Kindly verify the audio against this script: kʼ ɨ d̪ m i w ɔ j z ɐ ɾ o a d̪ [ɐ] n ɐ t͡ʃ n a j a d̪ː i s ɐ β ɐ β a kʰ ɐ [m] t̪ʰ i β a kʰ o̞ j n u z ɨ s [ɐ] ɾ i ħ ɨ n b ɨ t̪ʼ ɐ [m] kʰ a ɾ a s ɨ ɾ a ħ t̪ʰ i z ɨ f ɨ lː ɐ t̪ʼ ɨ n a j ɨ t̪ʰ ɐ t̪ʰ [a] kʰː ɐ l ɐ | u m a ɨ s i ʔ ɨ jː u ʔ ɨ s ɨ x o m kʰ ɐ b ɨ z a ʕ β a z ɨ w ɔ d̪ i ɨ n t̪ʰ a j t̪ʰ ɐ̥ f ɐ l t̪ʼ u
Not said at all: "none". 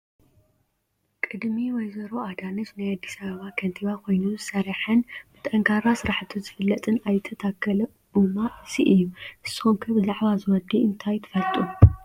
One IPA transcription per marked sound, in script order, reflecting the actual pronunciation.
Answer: a, n, ɐ, ŋ, a

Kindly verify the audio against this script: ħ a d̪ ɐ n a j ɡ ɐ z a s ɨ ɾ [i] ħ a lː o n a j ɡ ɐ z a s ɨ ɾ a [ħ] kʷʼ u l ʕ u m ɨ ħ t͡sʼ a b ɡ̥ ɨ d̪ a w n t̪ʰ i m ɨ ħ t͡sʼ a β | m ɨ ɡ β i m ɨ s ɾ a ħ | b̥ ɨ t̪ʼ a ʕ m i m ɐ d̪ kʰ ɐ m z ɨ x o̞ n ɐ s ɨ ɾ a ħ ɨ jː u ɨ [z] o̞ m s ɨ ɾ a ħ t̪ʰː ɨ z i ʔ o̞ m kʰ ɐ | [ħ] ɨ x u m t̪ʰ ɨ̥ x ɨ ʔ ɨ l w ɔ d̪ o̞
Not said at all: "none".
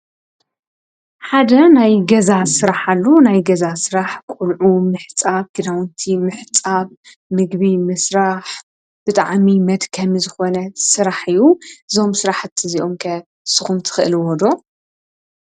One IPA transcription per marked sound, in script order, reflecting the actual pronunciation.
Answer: a, ħ, z, s

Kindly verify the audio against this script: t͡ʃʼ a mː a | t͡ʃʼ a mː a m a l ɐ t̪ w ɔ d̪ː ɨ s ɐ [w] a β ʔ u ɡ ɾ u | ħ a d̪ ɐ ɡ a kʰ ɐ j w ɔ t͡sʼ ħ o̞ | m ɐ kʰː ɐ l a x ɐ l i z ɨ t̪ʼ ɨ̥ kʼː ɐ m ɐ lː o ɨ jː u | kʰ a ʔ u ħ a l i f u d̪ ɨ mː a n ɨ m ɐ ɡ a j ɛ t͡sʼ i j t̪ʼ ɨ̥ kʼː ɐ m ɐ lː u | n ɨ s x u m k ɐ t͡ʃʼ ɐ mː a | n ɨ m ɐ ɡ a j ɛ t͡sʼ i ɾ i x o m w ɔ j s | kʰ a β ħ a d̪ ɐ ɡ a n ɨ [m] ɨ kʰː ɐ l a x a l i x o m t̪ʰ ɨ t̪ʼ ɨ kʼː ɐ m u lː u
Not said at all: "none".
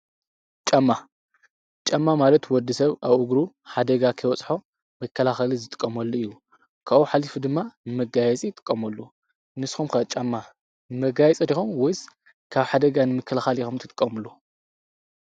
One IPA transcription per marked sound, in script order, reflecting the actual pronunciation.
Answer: β, m

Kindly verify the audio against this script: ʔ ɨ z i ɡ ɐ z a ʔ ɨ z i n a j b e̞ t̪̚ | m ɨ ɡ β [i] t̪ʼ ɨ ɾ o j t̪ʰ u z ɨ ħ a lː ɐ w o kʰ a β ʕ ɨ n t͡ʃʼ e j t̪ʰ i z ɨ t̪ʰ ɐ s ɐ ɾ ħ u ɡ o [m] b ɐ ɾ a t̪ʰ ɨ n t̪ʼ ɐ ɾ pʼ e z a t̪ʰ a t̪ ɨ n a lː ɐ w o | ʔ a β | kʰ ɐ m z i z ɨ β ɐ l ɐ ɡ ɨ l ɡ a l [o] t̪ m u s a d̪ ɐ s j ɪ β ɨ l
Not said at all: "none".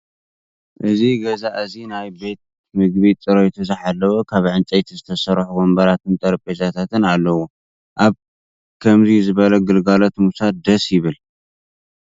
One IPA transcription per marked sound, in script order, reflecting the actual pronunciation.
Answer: i, m, o

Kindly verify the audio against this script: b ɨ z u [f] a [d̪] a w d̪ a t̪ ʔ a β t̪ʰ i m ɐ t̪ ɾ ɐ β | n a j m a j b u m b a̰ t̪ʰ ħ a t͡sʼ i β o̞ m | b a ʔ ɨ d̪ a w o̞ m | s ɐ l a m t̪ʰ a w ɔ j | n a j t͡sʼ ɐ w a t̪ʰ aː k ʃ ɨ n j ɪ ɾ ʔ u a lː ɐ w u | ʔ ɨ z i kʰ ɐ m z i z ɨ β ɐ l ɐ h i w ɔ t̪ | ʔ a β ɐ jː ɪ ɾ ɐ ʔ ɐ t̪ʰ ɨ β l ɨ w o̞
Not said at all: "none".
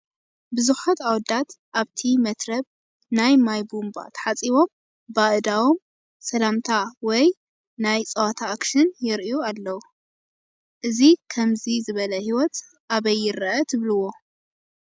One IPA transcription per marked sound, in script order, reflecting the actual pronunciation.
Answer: ħ, t̪

